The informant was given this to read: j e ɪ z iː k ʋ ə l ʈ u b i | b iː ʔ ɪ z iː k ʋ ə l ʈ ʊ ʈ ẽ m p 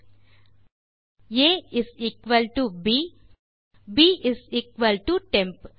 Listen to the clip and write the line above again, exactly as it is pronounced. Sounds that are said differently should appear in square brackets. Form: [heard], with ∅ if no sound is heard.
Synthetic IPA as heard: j e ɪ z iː k ʋ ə l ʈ u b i | b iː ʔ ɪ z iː k ʋ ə l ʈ [u] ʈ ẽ m p